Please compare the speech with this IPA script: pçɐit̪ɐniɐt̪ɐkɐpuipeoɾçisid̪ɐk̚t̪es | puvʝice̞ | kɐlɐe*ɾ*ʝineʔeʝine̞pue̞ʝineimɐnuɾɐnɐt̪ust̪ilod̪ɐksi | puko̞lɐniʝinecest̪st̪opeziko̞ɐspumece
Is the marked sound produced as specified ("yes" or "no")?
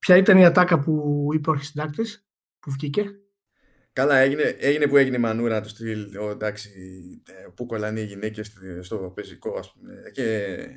no